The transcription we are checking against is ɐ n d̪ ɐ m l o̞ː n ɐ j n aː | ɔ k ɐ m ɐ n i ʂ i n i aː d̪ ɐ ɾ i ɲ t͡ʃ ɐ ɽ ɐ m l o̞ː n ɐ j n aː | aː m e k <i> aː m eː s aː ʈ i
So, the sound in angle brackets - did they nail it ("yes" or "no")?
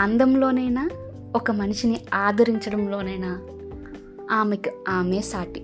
yes